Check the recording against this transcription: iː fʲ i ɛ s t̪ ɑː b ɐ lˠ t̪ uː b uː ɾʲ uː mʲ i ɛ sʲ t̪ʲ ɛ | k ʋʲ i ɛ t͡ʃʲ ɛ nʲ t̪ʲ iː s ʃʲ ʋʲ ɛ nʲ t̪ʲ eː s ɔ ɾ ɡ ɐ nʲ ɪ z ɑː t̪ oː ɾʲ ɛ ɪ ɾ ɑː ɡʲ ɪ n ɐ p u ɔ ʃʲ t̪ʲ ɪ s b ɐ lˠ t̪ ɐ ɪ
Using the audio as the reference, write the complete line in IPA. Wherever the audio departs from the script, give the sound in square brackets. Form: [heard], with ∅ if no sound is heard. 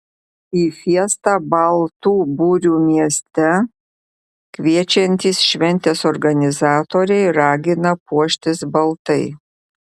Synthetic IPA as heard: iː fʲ i ɛ s t̪ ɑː b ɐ lˠ t̪ uː b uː ɾʲ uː mʲ i ɛ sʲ t̪ʲ ɛ | k ʋʲ i ɛ t͡ʃʲ ɛ nʲ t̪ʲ iː s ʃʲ ʋʲ ɛ nʲ t̪ʲ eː s ɔ ɾ ɡ ɐ nʲ ɪ z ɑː t̪ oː ɾʲ ɛ ɪ ɾ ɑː ɡʲ ɪ n ɐ p u ɔ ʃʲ t̪ʲ ɪ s b ɐ lˠ t̪ ɐ ɪ

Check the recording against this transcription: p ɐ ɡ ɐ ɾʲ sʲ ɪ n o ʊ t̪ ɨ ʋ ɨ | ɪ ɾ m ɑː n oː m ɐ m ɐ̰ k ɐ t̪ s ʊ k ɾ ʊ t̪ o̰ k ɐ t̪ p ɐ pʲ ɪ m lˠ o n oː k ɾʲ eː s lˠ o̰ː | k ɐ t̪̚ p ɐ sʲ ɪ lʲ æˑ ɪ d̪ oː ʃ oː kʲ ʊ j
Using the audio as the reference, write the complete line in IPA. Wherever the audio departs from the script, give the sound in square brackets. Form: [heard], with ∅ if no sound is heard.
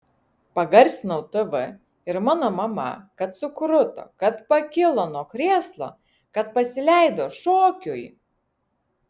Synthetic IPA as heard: p ɐ ɡ ɐ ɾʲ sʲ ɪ n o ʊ t̪ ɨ ʋ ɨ | ɪ ɾ m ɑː n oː m ɐ m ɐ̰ k ɐ t̪ s ʊ k ɾ ʊ t̪ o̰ k ɐ t̪ p ɐ [kʲ] ɪ [∅] lˠ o n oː k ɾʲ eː s lˠ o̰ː | k ɐ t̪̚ p ɐ sʲ ɪ lʲ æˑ ɪ d̪ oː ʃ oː kʲ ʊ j

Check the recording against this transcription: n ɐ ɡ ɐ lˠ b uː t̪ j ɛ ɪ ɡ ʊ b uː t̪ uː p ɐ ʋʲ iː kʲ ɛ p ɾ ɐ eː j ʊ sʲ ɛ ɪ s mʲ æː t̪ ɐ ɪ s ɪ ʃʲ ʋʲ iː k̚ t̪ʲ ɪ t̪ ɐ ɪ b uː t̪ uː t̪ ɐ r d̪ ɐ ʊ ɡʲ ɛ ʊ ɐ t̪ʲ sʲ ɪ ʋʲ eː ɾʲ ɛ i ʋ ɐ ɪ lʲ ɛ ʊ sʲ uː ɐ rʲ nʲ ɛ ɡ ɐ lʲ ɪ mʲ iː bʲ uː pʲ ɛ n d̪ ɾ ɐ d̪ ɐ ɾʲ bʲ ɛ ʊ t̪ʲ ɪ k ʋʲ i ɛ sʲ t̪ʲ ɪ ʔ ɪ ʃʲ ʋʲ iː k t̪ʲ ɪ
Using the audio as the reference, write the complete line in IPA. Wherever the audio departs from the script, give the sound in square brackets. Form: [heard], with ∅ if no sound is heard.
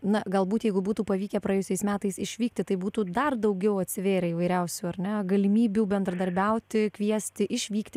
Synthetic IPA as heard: n ɐ ɡ ɐ lˠ b uː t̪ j ɛ ɪ ɡ ʊ b uː t̪ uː p ɐ ʋʲ iː kʲ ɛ p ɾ ɐ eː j ʊ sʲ ɛ ɪ s mʲ æː t̪ ɐ ɪ s ɪ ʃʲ ʋʲ iː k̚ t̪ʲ ɪ t̪ ɐ ɪ b uː t̪ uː [d̪] ɐ r d̪ ɐ ʊ ɡʲ ɛ ʊ ɐ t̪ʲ sʲ ɪ ʋʲ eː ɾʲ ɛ i ʋ ɐ ɪ [ɾʲ] ɛ ʊ sʲ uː ɐ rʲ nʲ ɛ ɡ ɐ lʲ ɪ mʲ iː bʲ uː [bʲ] ɛ n d̪ ɾ ɐ d̪ ɐ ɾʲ bʲ ɛ ʊ t̪ʲ ɪ k ʋʲ i ɛ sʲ t̪ʲ ɪ ʔ ɪ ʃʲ ʋʲ iː k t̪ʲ ɪ

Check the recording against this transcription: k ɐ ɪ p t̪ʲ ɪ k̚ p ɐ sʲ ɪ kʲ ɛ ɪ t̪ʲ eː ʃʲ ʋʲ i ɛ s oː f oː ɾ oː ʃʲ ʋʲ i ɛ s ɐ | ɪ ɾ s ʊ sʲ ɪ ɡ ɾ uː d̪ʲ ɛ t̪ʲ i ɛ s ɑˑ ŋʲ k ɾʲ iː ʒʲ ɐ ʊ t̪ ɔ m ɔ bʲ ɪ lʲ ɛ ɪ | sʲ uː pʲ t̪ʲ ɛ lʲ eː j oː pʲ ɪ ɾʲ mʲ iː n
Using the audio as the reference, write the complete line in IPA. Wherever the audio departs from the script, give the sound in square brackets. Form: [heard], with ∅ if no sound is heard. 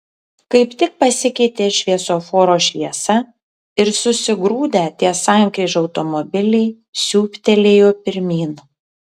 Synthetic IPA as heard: k ɐ ɪ p t̪ʲ ɪ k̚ p ɐ sʲ ɪ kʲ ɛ ɪ t̪ʲ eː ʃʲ ʋʲ i ɛ s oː f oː ɾ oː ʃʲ ʋʲ i ɛ s ɐ | ɪ ɾ s ʊ sʲ ɪ ɡ ɾ uː d̪ʲ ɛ t̪ʲ i ɛ s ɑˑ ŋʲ k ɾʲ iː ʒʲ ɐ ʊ t̪ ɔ m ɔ bʲ ɪ lʲ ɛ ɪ | sʲ uː pʲ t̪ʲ ɛ lʲ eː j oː pʲ ɪ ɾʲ mʲ iː n

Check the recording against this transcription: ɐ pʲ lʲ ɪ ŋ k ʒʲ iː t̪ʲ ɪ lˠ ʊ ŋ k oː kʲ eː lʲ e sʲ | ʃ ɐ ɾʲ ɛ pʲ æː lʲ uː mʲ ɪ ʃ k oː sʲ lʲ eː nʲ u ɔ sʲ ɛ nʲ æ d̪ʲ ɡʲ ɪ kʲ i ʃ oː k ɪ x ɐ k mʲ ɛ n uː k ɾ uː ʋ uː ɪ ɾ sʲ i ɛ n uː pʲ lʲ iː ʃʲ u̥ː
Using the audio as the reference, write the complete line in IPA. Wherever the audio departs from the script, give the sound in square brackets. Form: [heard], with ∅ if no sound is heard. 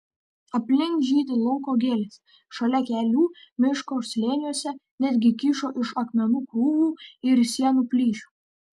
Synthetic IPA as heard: ɐ pʲ lʲ ɪ ŋ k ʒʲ iː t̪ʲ ɪ lˠ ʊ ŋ k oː [ɡʲ] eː lʲ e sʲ | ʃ ɐ [lʲ] ɛ [kʲ] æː lʲ uː mʲ ɪ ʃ k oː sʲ lʲ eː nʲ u ɔ sʲ ɛ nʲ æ d̪ʲ ɡʲ ɪ kʲ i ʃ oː [ʔ] ɪ [ʃ] ɐ k mʲ ɛ n uː k ɾ uː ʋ uː ɪ ɾ sʲ i ɛ n uː pʲ lʲ iː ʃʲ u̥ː

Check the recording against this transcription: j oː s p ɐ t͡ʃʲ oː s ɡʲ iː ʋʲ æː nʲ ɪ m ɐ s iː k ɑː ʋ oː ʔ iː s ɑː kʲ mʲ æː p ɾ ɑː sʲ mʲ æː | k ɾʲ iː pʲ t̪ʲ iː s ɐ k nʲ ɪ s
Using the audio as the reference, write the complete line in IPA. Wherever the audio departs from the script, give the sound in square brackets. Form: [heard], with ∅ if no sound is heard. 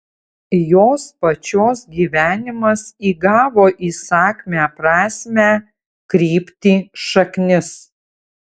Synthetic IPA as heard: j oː s p ɐ t͡ʃʲ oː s ɡʲ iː ʋʲ æː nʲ ɪ m ɐ s iː [ɡ] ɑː ʋ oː ʔ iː s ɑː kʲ mʲ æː p ɾ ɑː sʲ mʲ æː | k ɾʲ iː pʲ t̪ʲ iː [ʃ] ɐ k nʲ ɪ s

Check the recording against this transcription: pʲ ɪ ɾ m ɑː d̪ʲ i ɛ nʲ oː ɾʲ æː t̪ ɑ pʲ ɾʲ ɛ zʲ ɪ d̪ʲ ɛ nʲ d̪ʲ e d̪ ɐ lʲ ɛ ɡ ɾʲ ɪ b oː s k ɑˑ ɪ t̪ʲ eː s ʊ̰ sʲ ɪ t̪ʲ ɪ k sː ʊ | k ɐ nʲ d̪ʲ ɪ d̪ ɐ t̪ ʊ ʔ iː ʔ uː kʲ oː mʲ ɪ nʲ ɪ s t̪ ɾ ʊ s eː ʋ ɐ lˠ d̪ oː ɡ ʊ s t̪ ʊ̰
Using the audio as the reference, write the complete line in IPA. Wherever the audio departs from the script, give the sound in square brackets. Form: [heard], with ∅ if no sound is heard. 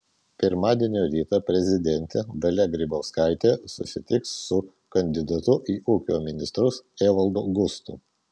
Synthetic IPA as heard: pʲ ɪ ɾ m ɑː d̪ʲ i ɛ nʲ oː ɾʲ [iː] t̪ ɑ pʲ ɾʲ ɛ zʲ ɪ d̪ʲ ɛ nʲ [t̪ʲ] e d̪ ɐ lʲ ɛ ɡ ɾʲ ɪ b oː s k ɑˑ ɪ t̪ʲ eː s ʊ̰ sʲ ɪ t̪ʲ ɪ k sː ʊ | k ɐ nʲ d̪ʲ ɪ d̪ ɐ t̪ ʊ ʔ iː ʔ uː kʲ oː mʲ ɪ nʲ ɪ s t̪ ɾ ʊ s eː ʋ ɐ lˠ d̪ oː ɡ ʊ s t̪ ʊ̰

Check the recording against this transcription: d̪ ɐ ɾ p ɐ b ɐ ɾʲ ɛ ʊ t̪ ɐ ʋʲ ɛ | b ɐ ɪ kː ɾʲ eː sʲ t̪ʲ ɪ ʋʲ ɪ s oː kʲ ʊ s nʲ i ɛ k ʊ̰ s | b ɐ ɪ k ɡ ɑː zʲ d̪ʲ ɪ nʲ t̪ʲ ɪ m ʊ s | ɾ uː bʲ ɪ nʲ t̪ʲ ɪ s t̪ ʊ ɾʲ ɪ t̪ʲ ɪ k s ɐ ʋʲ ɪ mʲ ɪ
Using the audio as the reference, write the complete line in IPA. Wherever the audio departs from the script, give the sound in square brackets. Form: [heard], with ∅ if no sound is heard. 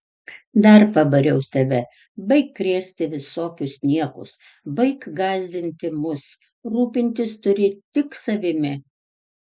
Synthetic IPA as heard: d̪ ɐ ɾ p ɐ b ɐ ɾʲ ɛ ʊ t̪ ɐ ʋʲ ɛ | b ɐ ɪ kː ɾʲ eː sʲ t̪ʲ ɪ ʋʲ ɪ s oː kʲ ʊ s nʲ i ɛ k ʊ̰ s | b ɐ ɪ k ɡ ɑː zʲ d̪ʲ ɪ nʲ t̪ʲ ɪ m ʊ s | ɾ uː [pʲ] ɪ nʲ t̪ʲ ɪ s t̪ ʊ ɾʲ ɪ t̪ʲ ɪ k s ɐ ʋʲ ɪ mʲ ɪ

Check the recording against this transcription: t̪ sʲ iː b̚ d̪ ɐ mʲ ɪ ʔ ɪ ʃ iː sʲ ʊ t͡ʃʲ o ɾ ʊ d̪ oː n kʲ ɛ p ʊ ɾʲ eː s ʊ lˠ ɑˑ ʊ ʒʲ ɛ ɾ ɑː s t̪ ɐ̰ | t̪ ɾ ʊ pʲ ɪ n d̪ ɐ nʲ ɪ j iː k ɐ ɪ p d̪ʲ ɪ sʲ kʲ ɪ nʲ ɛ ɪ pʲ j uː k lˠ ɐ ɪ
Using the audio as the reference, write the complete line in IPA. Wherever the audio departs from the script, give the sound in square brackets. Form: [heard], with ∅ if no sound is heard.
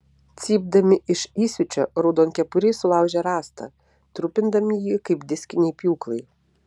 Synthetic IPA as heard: t̪ sʲ iː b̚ d̪ ɐ mʲ ɪ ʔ ɪ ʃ iː sʲ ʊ t͡ʃʲ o ɾ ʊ d̪ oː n kʲ ɛ p ʊ ɾʲ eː s ʊ lˠ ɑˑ ʊ ʒʲ ɛ ɾ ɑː s t̪ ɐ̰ | t̪ ɾ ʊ pʲ ɪ n d̪ ɐ [mʲ] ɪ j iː k ɐ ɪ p d̪ʲ ɪ sʲ kʲ ɪ nʲ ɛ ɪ pʲ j uː k lˠ ɐ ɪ

